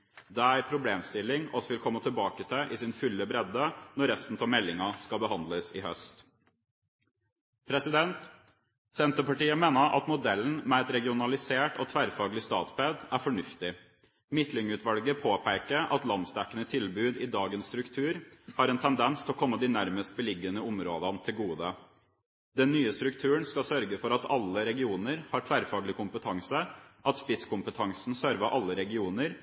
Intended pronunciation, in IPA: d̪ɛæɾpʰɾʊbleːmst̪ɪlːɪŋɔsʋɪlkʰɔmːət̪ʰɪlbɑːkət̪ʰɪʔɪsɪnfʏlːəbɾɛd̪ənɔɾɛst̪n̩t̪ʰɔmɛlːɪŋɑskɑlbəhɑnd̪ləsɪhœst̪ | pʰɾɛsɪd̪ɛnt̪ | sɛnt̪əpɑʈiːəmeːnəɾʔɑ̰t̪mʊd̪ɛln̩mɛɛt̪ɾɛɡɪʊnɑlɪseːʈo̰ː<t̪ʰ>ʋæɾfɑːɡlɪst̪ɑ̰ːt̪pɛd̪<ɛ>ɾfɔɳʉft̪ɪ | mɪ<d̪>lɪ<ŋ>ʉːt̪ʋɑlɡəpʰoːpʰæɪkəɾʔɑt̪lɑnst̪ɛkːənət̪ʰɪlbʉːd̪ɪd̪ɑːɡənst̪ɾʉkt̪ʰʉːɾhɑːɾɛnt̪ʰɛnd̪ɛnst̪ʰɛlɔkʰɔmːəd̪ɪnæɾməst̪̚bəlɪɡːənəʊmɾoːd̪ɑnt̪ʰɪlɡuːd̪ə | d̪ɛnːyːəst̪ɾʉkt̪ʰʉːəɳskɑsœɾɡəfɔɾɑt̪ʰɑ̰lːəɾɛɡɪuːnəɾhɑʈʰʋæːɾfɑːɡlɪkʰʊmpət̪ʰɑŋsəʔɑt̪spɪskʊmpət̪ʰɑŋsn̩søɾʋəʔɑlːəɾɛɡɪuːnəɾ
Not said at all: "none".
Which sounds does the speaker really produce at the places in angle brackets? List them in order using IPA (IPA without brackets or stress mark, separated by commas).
t̪ʰ, æ, t̪, ŋ